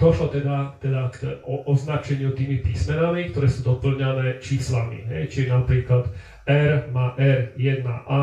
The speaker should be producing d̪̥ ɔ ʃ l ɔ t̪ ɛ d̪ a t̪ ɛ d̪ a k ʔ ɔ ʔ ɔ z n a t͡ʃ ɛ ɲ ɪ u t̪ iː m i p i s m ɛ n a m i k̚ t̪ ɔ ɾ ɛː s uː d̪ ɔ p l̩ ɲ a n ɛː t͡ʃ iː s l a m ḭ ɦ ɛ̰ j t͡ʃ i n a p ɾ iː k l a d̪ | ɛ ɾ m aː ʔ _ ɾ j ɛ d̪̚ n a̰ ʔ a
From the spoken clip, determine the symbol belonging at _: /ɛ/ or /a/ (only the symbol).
ɛ